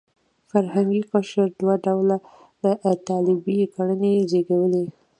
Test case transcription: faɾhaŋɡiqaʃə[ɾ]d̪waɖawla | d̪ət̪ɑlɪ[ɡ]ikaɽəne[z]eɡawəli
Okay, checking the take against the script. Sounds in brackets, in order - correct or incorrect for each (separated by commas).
correct, incorrect, correct